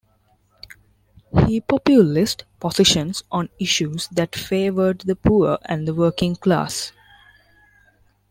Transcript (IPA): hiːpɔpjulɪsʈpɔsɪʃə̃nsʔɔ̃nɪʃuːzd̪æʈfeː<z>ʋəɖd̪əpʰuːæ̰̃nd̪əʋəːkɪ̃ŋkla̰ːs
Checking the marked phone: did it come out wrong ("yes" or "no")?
yes